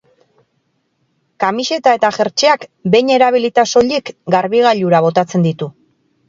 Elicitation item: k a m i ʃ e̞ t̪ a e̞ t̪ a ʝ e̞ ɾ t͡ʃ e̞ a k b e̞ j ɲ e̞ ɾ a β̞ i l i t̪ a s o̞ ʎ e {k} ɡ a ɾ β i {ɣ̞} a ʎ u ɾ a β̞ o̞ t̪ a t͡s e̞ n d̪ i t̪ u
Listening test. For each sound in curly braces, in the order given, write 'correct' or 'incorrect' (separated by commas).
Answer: correct, correct